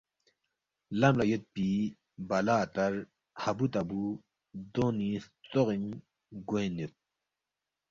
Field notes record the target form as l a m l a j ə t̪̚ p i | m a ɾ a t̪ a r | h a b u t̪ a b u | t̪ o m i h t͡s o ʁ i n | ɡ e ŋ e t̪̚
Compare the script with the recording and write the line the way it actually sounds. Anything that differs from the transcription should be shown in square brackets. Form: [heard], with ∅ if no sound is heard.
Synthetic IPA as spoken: l a m l a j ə t̪̚ p i | [b] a [l] a t̪ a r | h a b u t̪ a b u | [d̪] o [n] i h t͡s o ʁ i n | ɡ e [n] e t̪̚